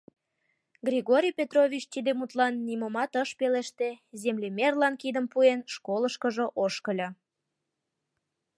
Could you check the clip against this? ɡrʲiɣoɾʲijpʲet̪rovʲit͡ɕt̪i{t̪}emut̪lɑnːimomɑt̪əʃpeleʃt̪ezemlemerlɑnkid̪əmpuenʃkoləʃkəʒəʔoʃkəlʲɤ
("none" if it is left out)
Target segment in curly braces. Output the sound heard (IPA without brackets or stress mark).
d̪